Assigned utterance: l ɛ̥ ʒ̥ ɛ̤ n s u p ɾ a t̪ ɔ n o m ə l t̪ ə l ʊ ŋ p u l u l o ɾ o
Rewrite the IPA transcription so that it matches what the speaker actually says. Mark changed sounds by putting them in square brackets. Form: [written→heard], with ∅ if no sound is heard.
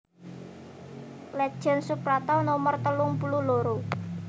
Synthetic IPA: l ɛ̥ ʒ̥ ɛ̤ n s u p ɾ a t̪ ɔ n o m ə [l→r] t̪ ə l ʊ ŋ p u l u l o ɾ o